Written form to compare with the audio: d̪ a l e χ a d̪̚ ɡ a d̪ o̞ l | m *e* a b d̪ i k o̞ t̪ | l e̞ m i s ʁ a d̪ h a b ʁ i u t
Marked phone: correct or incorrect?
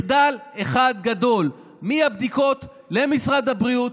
incorrect